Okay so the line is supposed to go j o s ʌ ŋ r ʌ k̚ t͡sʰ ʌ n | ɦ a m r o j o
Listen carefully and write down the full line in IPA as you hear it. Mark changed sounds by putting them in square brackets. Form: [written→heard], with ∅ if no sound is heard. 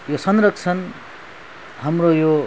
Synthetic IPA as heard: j o s ʌ [ŋ→n] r ʌ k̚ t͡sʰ ʌ n | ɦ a m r o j o